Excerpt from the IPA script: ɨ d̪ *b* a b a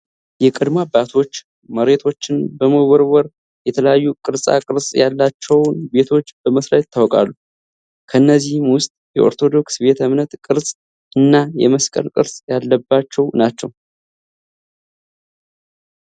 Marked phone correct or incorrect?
incorrect